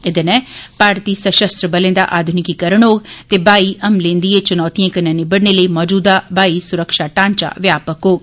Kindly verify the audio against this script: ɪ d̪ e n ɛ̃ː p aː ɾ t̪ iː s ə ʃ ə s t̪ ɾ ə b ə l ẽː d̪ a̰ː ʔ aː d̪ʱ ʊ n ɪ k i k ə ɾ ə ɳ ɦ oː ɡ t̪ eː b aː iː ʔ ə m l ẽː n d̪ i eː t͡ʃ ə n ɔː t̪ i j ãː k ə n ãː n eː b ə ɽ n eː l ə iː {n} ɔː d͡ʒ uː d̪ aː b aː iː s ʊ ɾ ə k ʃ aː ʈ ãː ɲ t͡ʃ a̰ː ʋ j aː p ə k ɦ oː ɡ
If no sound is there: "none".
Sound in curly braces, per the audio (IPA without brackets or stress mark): m